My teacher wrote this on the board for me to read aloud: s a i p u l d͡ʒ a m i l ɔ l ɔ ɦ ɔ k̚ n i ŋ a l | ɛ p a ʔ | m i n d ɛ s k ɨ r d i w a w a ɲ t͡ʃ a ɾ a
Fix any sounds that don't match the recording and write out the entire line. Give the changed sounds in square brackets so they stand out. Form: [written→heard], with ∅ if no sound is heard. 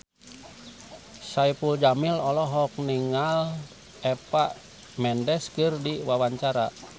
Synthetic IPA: s a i p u l d͡ʒ a m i l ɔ l ɔ ɦ ɔ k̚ n i ŋ a l | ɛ p a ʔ | m [i→ɛ] n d ɛ s k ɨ r d i w a w a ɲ t͡ʃ a ɾ a